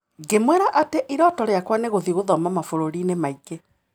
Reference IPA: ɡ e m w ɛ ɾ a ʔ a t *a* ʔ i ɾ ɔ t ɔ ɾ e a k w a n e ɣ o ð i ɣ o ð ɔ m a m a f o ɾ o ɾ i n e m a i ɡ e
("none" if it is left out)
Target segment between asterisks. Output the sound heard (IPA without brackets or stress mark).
e